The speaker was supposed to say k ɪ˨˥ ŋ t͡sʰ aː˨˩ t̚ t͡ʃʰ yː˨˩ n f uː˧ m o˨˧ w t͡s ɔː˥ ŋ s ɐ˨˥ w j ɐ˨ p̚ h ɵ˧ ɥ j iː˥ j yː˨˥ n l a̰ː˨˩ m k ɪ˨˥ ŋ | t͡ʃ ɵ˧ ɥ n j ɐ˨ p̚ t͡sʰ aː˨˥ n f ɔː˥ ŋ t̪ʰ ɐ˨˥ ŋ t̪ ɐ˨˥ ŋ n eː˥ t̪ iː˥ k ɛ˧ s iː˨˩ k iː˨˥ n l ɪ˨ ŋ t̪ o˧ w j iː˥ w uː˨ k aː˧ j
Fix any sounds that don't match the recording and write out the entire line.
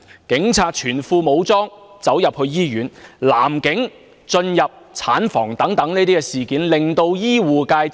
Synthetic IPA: k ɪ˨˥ ŋ t͡sʰ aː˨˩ t̚ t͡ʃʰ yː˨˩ n f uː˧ m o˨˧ w t͡s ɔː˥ ŋ t͡s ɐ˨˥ w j ɐ˨ p̚ h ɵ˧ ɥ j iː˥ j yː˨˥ n l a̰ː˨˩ m k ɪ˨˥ ŋ | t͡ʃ ɵ˧ n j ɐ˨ p̚ t͡sʰ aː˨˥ n f ɔː˨˩ ŋ t̪ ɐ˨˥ ŋ t̪ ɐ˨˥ ŋ n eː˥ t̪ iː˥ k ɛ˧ s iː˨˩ k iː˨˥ n l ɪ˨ ŋ t̪ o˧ w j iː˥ w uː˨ k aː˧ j